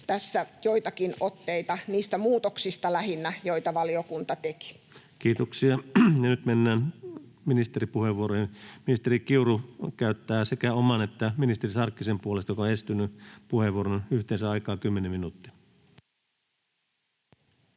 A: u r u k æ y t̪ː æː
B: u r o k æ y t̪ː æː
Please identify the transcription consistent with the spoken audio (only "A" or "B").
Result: A